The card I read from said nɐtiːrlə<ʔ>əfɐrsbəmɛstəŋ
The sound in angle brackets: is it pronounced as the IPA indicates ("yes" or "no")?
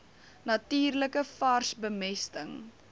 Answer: no